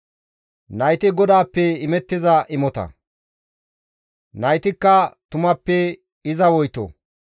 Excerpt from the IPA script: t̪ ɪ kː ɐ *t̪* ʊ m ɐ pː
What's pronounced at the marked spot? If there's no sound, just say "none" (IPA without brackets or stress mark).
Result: t̪